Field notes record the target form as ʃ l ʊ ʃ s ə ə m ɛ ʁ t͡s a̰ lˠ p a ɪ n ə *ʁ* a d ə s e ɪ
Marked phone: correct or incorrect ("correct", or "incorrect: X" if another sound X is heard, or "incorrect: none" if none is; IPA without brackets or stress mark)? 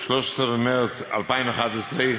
incorrect: χ